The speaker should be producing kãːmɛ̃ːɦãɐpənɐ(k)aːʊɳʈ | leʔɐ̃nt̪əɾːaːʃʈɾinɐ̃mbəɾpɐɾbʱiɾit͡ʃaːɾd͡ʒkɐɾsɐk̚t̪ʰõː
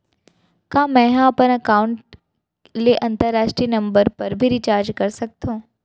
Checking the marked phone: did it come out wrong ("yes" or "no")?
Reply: no